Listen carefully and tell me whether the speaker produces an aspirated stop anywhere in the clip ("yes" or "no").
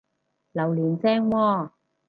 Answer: no